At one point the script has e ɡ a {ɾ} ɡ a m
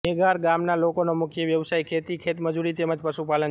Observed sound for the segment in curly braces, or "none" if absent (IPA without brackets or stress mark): ɾ